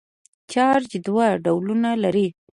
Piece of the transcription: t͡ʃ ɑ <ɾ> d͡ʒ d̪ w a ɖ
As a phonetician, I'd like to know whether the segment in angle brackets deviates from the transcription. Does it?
no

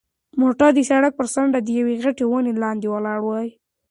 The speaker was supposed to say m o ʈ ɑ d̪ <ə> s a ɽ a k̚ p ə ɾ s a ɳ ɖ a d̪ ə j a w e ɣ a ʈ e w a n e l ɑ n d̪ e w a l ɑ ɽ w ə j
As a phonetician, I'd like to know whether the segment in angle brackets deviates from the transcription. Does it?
no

